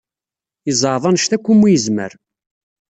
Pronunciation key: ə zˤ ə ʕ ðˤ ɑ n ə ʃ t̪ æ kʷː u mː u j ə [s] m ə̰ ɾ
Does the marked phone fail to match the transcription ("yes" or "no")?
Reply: yes